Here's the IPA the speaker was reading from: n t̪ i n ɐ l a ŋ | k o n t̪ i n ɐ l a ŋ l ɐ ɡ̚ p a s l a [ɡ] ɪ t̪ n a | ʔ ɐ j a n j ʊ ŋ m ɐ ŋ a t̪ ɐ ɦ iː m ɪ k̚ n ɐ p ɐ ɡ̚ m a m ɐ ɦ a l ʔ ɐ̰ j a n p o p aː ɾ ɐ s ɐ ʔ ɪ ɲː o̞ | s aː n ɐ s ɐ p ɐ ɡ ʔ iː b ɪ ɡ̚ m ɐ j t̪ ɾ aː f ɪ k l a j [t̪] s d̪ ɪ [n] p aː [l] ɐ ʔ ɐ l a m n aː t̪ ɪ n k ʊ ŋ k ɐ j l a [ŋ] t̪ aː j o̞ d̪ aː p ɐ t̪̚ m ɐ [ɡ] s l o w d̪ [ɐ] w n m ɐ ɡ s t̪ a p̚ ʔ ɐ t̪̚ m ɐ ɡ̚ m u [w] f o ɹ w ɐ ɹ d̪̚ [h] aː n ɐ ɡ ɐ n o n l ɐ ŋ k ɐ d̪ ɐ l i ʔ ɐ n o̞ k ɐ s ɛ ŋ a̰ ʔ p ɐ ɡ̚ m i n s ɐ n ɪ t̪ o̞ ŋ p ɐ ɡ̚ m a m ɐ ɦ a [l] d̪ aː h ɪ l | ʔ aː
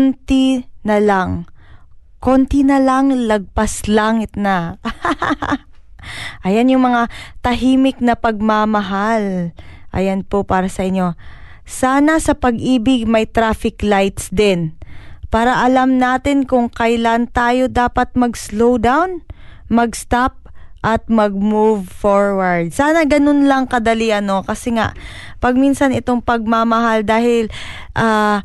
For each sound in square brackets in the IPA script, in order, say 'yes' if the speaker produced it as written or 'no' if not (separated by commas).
no, yes, yes, no, no, yes, no, no, no, yes